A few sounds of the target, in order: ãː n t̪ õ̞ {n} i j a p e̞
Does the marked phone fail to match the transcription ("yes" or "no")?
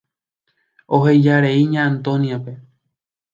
no